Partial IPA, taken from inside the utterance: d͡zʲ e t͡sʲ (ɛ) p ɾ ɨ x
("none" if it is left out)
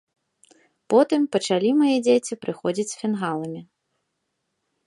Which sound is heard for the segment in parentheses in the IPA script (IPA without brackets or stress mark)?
i